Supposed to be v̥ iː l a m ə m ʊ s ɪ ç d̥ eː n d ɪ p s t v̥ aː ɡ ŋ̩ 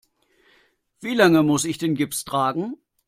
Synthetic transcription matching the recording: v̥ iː l a ŋ ə m ʊ s ɪ ç d̥ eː n ɡ ɪ p s t ʁ̥ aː ɡ ŋ̩